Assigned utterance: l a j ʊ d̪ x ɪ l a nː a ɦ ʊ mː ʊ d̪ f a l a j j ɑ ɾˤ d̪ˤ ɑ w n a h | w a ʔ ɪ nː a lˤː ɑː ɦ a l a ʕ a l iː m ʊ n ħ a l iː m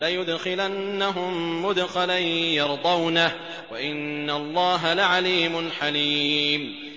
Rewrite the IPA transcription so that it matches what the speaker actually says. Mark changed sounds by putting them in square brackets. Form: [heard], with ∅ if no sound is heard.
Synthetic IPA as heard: l a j ʊ d̪ x ɪ l a nː a ɦ ʊ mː ʊ d̪ [x] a l a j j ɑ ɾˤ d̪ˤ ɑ w n a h | w a ʔ ɪ nː a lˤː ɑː ɦ a l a ʕ a l iː m ʊ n ħ a l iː m